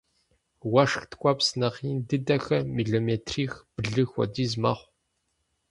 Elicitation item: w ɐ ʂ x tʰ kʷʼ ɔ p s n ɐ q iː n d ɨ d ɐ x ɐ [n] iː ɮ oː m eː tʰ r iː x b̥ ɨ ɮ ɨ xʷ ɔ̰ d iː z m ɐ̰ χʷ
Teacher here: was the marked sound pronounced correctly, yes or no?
no